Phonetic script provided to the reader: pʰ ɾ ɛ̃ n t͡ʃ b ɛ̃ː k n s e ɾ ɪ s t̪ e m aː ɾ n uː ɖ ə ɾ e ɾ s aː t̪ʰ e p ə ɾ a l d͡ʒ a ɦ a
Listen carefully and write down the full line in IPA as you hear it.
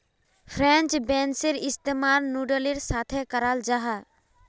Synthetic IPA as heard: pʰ ɾ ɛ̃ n t͡ʃ b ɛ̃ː n s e ɾ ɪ s t̪ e m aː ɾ n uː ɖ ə l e ɾ s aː t̪ʰ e k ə ɾ a l d͡ʒ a ɦ a